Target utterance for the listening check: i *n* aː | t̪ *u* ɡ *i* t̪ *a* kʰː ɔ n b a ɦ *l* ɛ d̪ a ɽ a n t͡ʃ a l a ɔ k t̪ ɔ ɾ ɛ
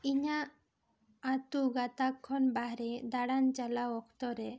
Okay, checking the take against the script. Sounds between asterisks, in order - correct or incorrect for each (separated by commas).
incorrect, correct, incorrect, correct, incorrect